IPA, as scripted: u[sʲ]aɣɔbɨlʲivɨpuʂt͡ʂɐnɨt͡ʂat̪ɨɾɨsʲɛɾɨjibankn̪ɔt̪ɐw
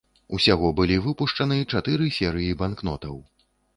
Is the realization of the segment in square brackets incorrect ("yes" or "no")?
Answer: no